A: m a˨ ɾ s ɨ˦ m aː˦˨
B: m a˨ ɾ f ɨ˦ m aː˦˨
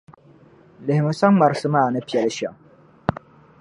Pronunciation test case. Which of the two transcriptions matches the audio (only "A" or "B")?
A